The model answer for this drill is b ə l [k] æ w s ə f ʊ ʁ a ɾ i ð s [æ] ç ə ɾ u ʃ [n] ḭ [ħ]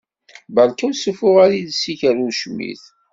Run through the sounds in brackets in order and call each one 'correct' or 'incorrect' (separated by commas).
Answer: correct, incorrect, incorrect, incorrect